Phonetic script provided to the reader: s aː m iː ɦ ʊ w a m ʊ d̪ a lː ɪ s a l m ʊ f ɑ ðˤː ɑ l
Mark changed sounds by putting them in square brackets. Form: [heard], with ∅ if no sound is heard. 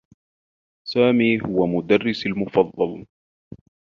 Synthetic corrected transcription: s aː m iː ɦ ʊ w a m ʊ d̪ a [rː] ɪ s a l m ʊ f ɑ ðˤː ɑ l

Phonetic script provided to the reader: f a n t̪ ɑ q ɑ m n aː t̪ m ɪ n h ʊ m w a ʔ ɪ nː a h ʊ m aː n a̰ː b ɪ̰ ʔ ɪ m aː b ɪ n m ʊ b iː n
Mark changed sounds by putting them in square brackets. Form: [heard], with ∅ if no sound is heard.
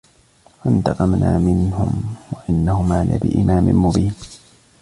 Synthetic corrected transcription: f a n t̪ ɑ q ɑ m n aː [∅] m ɪ n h ʊ m w a ʔ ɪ nː a h ʊ m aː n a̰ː b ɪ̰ ʔ ɪ m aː [m] ɪ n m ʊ b iː n

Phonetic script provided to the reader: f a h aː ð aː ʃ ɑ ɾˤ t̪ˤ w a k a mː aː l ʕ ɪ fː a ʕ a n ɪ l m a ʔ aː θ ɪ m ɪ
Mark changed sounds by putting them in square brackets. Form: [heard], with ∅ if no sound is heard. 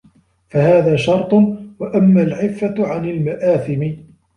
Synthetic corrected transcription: f a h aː ð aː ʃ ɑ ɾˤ t̪ˤ w a [ʔ] a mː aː l ʕ ɪ fː a ʕ a n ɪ l m a ʔ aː θ ɪ m ɪ

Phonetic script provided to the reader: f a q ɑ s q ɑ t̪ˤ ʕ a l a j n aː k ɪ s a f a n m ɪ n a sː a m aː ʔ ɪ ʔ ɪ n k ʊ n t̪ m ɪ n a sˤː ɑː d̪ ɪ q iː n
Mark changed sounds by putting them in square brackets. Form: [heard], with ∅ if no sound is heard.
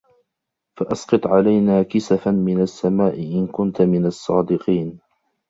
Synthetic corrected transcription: f a [ʔ] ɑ s q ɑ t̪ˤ ʕ a l a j n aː k ɪ s a f a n m ɪ n a sː a m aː ʔ ɪ ʔ ɪ n k ʊ n t̪ m ɪ n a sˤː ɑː d̪ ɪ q iː n

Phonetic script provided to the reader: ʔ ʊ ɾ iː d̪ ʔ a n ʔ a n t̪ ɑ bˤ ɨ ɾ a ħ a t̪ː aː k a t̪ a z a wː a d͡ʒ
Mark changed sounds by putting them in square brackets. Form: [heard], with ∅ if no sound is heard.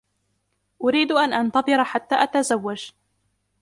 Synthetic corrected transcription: ʔ ʊ ɾ iː d̪ ʔ a n ʔ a n t̪ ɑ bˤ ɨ ɾ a ħ a t̪ː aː [ʔ] a t̪ a z a wː a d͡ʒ

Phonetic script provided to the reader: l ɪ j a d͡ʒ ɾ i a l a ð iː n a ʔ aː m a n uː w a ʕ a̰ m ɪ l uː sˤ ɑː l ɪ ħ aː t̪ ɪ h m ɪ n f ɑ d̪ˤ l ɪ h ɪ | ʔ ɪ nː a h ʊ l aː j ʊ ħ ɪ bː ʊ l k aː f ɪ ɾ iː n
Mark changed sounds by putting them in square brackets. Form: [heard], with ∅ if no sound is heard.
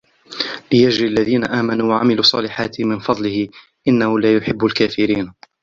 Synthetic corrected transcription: l ɪ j a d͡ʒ ɾ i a [lː] a ð iː n a ʔ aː m a n uː w a ʕ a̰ m ɪ l uː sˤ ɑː l ɪ ħ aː t̪ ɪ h m ɪ n f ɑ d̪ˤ l ɪ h ɪ | ʔ ɪ nː a h ʊ l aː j ʊ ħ ɪ bː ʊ l k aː f ɪ ɾ iː n

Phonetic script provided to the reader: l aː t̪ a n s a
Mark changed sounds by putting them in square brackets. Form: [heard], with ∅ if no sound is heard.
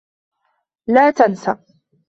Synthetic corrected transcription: l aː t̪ a n s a

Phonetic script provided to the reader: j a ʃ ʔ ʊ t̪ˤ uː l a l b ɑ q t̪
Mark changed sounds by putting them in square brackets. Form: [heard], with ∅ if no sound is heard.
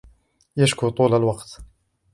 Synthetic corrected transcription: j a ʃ [k] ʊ t̪ˤ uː l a l [w] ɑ q t̪

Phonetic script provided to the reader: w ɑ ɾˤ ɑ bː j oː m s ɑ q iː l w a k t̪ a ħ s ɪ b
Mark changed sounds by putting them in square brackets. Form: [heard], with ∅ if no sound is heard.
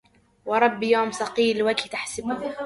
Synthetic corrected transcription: w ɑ ɾˤ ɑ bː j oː m s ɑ q iː l w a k t̪ a ħ s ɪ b

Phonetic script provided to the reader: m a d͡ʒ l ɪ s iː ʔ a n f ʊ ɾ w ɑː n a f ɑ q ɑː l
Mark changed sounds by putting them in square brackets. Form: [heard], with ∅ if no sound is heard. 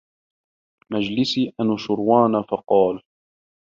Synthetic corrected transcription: m a d͡ʒ l ɪ s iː ʔ a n [ʃ] ʊ ɾ w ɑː n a f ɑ q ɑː l

